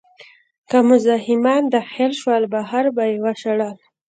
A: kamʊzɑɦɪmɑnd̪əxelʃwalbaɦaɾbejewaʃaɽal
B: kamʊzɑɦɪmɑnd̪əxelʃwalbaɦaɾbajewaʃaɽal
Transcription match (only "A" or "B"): B